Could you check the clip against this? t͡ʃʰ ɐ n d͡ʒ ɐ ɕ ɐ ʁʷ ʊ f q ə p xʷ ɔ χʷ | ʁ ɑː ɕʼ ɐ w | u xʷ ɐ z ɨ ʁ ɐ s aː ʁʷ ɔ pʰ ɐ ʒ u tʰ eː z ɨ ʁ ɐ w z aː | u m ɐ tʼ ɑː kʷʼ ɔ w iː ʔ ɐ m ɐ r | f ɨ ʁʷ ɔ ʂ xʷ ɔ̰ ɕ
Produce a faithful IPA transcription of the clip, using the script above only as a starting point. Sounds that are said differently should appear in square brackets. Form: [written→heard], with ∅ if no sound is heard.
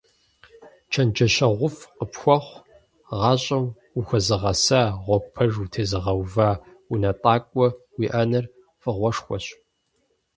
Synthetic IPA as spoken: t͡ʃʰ ɐ n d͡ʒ ɐ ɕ ɐ ʁʷ ʊ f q ə p xʷ ɔ χʷ | ʁ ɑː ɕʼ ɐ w | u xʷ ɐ z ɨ ʁ ɐ s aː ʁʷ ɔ pʰ ɐ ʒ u tʰ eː z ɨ ʁ ɐ w [z→v] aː | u [m→n] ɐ tʼ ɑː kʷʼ ɔ w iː ʔ ɐ [m→n] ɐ r | f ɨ ʁʷ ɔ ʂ xʷ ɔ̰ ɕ